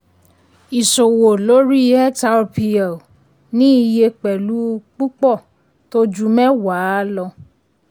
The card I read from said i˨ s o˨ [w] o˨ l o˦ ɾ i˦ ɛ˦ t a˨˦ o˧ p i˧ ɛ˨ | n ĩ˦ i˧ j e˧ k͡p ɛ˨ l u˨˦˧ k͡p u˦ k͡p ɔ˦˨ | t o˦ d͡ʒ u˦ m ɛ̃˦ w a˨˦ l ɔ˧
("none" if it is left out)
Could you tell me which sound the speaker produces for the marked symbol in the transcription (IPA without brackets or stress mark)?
w